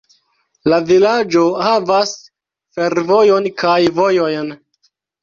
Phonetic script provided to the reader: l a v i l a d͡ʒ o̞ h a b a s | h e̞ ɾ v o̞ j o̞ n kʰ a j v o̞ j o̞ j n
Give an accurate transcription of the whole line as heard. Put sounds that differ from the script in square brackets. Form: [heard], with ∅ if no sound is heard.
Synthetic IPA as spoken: l a v i l a d͡ʒ o̞ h a [v] a s | [f] e̞ ɾ v o̞ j o̞ n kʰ a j v o̞ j o̞ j n